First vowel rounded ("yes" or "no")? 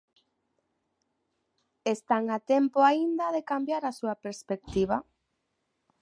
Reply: no